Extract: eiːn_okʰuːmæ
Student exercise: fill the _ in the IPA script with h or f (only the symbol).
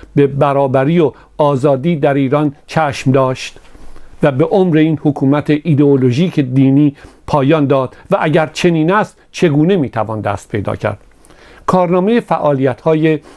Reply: h